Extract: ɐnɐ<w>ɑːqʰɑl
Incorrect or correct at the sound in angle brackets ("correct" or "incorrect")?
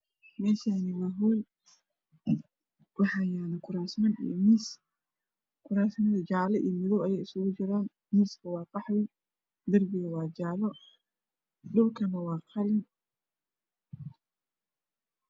correct